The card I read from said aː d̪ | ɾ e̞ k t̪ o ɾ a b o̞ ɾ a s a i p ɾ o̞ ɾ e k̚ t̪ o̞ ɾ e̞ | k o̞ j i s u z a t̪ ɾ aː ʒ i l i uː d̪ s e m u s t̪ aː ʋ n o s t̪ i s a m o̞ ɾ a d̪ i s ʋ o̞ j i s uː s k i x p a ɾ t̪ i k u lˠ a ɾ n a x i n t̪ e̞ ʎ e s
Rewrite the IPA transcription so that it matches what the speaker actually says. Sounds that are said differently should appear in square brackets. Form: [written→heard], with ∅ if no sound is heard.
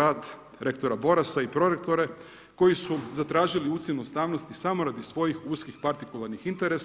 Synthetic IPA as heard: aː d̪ | ɾ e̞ k t̪ o ɾ a b o̞ ɾ a s a i p ɾ o̞ ɾ e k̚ t̪ o̞ ɾ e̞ | k o̞ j i s u z a t̪ ɾ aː ʒ i l i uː [d̪→t̪] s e [m→n] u s t̪ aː ʋ n o s t̪ i s a m o̞ ɾ a d̪ i s ʋ o̞ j i [s→x] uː s k i x p a ɾ t̪ i k u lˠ a ɾ n [a→i] x i n t̪ e̞ [ʎ→ɾ] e s